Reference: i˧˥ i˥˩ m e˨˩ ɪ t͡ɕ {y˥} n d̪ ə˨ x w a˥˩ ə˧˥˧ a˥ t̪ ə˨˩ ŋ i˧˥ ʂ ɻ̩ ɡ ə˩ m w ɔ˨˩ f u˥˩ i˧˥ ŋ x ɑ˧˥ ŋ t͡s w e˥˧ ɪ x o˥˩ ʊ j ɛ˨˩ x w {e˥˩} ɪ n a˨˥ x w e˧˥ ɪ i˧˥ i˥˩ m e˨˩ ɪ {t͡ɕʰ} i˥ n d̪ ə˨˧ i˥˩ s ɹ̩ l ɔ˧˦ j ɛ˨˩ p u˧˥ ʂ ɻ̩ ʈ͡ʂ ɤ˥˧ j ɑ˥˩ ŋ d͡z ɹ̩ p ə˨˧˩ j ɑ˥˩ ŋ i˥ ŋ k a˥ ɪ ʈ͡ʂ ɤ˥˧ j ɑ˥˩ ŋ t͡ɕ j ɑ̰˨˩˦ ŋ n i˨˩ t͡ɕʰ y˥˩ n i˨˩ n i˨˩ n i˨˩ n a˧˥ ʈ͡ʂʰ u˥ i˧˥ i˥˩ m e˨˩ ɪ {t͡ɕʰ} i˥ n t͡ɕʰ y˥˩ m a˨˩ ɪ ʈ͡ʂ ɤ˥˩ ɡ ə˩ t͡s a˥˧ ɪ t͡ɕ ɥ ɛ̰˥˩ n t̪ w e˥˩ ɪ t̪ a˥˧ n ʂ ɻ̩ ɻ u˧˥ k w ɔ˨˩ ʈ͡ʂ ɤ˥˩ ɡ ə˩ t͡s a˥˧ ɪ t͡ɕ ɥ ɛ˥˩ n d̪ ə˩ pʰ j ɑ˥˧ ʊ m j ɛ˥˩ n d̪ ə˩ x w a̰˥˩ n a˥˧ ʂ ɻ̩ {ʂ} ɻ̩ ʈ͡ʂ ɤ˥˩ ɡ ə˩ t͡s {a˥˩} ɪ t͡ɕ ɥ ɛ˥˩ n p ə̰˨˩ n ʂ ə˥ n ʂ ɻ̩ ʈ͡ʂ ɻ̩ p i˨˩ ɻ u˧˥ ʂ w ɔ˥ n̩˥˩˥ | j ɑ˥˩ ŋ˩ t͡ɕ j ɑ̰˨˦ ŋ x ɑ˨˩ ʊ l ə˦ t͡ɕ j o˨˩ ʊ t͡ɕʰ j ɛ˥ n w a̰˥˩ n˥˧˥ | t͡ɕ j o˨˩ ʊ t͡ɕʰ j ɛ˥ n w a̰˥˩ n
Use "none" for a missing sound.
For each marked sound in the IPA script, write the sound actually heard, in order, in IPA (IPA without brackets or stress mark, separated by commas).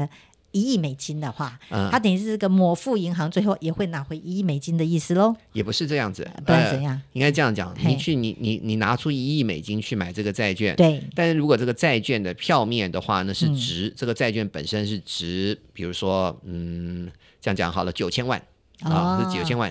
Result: i˥, e˥˩, t͡ɕ, t͡ɕ, ʈ͡ʂ, a˥˧